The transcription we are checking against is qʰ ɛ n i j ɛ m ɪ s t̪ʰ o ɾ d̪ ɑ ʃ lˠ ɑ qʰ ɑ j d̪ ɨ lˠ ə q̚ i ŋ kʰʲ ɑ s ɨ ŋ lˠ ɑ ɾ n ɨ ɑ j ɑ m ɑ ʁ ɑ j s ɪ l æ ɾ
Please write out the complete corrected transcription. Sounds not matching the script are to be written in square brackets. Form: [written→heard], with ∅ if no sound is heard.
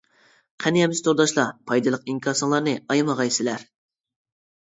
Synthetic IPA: qʰ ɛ n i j ɛ m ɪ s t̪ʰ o ɾ d̪ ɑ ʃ lˠ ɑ [qʰ→pʰ] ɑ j d̪ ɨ lˠ ə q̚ i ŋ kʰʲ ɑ s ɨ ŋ lˠ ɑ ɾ n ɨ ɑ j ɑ m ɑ ʁ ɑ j s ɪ l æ ɾ